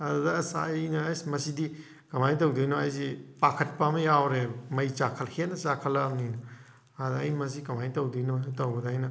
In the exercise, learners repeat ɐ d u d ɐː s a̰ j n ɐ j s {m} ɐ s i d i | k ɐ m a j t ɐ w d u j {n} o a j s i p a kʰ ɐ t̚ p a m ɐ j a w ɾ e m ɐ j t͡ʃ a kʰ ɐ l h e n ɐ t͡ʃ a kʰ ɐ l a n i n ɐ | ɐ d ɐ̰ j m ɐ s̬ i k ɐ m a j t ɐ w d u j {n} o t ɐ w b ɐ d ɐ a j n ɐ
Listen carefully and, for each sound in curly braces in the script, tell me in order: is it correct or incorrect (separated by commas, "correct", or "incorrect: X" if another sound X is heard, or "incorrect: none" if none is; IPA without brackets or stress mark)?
correct, correct, correct